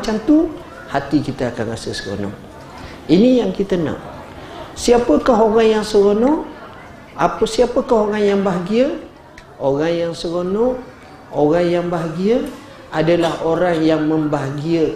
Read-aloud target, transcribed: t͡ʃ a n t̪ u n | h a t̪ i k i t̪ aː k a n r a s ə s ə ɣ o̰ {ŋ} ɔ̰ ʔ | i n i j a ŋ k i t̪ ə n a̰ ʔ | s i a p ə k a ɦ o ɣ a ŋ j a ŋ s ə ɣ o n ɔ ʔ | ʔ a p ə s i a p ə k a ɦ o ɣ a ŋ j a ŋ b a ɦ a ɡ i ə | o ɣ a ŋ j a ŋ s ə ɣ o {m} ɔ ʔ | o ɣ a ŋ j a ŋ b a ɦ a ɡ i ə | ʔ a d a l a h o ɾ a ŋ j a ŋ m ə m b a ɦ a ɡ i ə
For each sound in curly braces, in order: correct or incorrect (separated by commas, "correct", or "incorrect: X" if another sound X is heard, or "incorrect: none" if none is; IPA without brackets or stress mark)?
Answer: incorrect: n, incorrect: n